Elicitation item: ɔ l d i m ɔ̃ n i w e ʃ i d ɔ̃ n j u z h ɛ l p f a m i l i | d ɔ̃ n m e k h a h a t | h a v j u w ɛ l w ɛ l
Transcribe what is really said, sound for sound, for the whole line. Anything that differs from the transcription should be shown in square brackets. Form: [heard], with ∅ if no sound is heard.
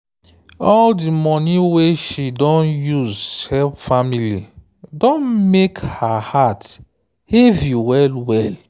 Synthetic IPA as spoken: ɔ l d i m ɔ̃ n i w e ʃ i d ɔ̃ n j u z h ɛ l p f a m i l i | d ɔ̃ n m e k h a h a t | h [e] v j u w ɛ l w ɛ l

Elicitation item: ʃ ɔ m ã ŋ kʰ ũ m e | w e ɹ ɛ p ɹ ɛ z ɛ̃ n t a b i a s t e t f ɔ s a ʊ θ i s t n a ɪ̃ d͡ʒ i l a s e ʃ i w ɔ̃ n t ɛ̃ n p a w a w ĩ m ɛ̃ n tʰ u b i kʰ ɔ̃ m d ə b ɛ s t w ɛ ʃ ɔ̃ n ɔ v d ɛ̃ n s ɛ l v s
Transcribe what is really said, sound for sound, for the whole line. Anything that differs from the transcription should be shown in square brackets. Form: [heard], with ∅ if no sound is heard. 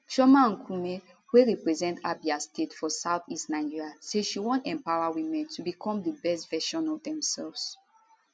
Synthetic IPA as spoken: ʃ ɔ m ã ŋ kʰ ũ m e | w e ɹ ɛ p ɹ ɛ z ɛ̃ n t a b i a s t e t f ɔ s a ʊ θ i s t n a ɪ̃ d͡ʒ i [ɹ] a s e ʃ i w ɔ̃ n t ɛ̃ [m] p a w a w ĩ m ɛ̃ n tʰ u b i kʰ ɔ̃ m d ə b ɛ s t [v] ɛ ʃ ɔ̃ n ɔ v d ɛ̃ [m] s ɛ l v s

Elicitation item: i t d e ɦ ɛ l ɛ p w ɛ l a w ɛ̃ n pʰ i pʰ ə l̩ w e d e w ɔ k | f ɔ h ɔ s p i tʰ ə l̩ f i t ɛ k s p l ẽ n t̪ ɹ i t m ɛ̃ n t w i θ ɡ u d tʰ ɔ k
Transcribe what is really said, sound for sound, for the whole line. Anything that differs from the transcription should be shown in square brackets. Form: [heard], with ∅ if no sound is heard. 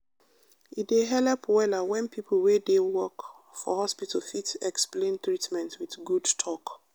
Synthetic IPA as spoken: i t d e ɦ ɛ l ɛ p w ɛ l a w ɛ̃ n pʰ i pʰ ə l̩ w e d e w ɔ k | f ɔ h ɔ s p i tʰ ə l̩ f i t ɛ k s p l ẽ n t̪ ɹ i t m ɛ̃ n t w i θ ɡ u d tʰ ɔ k

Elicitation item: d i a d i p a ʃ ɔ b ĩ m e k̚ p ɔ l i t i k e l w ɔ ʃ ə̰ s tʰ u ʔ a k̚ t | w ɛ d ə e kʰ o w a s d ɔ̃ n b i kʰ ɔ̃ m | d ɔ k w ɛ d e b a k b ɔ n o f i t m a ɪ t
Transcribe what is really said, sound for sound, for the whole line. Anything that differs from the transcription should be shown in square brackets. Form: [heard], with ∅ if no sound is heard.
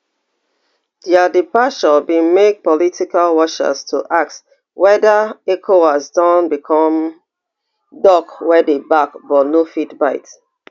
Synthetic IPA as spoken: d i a d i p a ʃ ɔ b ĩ m e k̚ p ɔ l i t i k [a] l w ɔ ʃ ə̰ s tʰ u ʔ a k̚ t | w ɛ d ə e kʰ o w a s d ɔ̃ n b i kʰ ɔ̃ m | d ɔ k w ɛ d e b a k b ɔ n o f i t [b] a ɪ t

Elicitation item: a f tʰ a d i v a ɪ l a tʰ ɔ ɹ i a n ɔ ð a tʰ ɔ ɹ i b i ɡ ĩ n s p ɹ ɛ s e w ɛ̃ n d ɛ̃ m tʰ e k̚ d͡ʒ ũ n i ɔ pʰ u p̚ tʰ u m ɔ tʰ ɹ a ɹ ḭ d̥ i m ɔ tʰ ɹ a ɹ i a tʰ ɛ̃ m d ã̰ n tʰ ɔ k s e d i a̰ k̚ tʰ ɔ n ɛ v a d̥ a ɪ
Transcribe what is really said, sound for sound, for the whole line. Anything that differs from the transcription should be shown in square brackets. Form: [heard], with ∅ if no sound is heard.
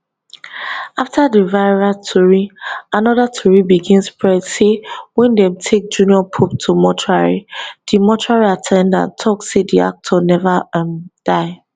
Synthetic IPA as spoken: a f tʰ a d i v a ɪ [ɹ] a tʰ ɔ ɹ i a n ɔ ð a tʰ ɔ ɹ i b i ɡ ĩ n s p ɹ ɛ s e w ɛ̃ n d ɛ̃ m tʰ e k̚ d͡ʒ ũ n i ɔ pʰ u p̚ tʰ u m ɔ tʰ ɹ a ɹ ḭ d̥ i m ɔ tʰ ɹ a ɹ i a tʰ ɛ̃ [n] d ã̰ n tʰ ɔ k s e d i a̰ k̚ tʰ ɔ n ɛ v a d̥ a ɪ

